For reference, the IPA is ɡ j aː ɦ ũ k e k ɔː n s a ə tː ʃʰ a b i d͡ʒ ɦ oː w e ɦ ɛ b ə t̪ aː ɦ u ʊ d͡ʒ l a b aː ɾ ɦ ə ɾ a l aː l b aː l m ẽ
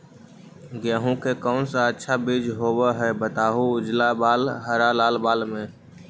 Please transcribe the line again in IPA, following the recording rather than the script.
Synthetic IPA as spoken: ɡ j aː ɦ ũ k e k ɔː n s a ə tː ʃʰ a b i d͡ʒ ɦ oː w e ɦ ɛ b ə t̪ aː ɦ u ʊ d͡ʒ l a b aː l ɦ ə ɾ a l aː l b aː l m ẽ